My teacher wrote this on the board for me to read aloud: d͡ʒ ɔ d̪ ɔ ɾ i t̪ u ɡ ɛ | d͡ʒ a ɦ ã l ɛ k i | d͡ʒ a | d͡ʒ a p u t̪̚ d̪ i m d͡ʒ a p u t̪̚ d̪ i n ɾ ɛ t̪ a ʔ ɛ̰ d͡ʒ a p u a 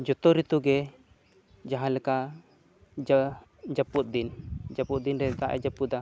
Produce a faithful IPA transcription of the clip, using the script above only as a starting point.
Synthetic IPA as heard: d͡ʒ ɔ t̪ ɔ ɾ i t̪ u ɡ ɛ | d͡ʒ a ɦ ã l ɛ k a | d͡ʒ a | d͡ʒ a p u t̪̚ d̪ i n d͡ʒ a p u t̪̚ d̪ i n ɾ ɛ t̪ a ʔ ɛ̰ d͡ʒ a p u a